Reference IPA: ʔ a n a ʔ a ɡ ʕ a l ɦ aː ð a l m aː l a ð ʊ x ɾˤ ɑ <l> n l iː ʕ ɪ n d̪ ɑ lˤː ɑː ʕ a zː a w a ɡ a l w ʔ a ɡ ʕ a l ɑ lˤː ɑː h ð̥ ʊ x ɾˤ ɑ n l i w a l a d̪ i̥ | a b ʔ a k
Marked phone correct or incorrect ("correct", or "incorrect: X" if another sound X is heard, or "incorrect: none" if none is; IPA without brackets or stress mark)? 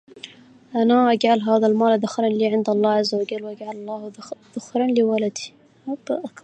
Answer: incorrect: none